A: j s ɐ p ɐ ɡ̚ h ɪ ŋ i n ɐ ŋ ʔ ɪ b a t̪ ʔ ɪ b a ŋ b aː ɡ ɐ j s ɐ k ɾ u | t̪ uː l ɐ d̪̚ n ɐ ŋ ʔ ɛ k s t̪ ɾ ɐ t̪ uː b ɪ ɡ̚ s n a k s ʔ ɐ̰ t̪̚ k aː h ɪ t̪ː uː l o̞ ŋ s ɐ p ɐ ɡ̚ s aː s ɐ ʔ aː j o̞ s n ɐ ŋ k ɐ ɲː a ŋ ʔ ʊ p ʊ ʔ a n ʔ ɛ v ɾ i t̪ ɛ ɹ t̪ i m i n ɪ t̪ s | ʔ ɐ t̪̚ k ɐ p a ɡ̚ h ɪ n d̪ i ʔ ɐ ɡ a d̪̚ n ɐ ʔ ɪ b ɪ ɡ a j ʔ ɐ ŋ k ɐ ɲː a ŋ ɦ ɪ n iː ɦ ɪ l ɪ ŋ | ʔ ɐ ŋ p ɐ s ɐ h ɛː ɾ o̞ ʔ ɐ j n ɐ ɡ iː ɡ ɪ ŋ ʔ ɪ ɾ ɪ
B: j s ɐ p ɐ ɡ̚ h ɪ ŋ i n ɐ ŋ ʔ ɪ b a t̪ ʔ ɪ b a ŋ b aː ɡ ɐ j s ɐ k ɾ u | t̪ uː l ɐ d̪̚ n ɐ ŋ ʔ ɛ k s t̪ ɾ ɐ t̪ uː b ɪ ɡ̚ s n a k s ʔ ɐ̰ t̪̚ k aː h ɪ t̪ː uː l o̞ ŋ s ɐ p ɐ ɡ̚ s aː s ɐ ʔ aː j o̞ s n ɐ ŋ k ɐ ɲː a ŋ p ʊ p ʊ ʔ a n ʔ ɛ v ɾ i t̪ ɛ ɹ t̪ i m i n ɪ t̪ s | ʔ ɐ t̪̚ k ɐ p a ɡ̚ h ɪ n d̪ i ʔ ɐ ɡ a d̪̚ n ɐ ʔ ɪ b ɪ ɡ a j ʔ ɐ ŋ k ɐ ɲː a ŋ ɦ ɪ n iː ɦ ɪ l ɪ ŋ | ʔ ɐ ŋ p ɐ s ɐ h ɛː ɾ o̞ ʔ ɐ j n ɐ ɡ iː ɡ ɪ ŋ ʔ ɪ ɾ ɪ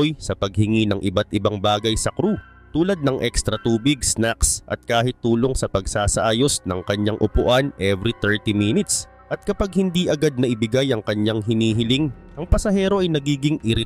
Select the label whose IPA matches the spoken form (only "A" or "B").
A